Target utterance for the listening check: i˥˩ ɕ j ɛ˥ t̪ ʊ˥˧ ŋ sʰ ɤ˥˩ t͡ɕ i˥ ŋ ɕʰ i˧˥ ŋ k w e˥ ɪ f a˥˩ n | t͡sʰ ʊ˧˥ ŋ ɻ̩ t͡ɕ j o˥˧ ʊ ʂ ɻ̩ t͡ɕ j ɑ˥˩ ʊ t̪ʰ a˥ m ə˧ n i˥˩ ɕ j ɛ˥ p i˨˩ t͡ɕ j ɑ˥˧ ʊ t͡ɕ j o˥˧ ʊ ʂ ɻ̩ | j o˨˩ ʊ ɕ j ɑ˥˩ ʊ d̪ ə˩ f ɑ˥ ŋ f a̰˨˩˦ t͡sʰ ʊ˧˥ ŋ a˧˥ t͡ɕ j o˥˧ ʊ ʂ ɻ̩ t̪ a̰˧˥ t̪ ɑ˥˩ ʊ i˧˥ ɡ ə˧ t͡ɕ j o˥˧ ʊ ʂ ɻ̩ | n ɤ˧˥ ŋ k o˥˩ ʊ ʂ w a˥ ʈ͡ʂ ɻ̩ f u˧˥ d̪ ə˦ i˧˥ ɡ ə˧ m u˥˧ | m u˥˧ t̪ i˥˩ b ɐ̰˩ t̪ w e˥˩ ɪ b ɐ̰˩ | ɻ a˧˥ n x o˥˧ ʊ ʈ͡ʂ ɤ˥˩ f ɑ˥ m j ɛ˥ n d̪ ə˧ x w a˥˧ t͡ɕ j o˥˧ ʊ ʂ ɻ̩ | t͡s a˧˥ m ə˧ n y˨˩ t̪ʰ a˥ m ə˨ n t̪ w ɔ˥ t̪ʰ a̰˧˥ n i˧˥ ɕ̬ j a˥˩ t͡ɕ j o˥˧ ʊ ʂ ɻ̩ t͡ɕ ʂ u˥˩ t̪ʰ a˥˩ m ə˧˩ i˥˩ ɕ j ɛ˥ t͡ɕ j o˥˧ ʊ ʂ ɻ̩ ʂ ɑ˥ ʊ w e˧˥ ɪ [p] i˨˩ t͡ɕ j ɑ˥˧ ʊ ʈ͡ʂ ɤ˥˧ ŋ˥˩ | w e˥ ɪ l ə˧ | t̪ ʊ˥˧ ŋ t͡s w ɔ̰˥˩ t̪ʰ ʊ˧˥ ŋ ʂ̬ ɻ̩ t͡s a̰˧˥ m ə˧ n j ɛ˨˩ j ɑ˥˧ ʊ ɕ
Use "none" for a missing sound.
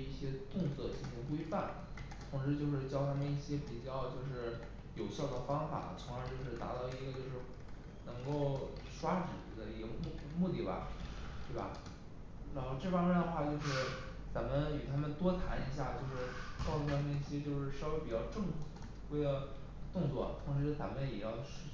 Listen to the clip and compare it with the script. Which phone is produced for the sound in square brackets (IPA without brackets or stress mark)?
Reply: p